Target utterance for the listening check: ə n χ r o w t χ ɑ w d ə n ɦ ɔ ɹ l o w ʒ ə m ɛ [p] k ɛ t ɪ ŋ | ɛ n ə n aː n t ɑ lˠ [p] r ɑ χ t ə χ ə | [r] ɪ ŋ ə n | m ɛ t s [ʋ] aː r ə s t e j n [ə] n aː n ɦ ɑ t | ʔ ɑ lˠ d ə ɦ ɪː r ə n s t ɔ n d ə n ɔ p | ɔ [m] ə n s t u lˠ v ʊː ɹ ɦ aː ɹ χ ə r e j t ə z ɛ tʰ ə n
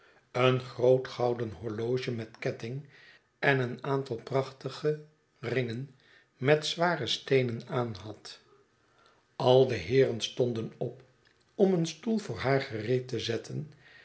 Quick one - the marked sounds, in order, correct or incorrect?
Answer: incorrect: t, correct, correct, correct, correct, correct

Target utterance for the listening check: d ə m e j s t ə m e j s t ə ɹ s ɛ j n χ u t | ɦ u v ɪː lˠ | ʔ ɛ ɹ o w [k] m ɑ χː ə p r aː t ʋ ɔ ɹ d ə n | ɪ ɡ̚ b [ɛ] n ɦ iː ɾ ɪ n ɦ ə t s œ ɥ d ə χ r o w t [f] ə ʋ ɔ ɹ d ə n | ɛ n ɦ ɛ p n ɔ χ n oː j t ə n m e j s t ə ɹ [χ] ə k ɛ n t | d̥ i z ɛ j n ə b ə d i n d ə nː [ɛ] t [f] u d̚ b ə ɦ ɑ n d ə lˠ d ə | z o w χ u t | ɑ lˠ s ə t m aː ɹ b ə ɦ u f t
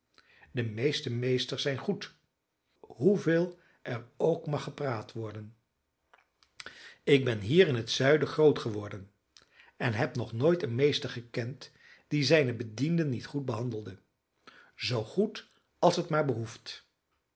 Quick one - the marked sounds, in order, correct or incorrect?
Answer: correct, correct, incorrect: χ, correct, incorrect: i, incorrect: χ

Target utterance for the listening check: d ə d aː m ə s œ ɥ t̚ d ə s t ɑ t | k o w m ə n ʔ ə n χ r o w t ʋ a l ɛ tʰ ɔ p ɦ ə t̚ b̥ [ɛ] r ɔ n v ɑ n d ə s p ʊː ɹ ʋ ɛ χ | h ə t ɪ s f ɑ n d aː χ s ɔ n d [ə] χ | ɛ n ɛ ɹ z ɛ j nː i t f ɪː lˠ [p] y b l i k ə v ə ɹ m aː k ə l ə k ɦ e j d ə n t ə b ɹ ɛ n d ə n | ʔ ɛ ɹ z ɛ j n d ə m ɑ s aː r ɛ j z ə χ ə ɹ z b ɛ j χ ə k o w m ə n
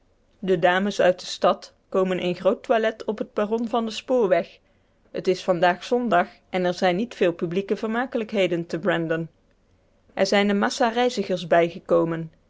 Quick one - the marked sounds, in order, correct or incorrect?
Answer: incorrect: a, incorrect: ɑ, correct

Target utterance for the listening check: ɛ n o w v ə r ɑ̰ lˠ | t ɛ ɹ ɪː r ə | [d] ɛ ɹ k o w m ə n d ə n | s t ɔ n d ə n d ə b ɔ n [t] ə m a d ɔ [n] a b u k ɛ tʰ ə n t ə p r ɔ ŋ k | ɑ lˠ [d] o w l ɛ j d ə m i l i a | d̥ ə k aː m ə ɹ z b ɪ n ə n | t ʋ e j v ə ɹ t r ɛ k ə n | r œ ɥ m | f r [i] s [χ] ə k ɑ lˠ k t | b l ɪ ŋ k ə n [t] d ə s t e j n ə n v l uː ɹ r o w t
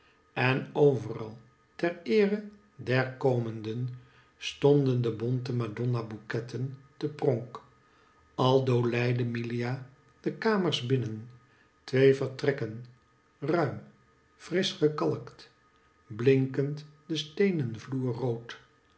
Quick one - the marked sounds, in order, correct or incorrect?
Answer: correct, correct, correct, correct, incorrect: ɪ, correct, correct

